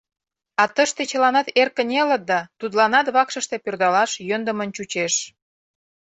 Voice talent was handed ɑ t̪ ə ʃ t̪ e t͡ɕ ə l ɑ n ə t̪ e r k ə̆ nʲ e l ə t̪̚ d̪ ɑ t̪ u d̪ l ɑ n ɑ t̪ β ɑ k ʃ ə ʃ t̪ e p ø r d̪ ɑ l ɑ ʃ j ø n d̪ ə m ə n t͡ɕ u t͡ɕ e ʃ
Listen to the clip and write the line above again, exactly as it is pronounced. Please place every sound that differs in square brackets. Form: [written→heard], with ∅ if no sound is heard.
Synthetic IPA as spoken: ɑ t̪ ə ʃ t̪ e t͡ɕ ə l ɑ n [ə→ɑ] t̪ e r k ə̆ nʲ e l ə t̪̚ d̪ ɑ t̪ u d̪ l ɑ n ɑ t̪ β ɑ k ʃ ə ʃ t̪ e p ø r d̪ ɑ l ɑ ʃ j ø n d̪ ə m ə n t͡ɕ u t͡ɕ e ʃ